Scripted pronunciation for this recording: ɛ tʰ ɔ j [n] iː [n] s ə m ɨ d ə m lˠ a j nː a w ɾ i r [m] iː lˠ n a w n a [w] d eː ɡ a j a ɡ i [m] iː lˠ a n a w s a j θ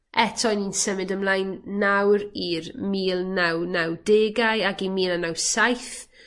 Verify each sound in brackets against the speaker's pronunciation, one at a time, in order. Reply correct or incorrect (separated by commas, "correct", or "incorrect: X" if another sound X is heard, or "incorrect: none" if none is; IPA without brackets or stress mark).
correct, correct, correct, correct, correct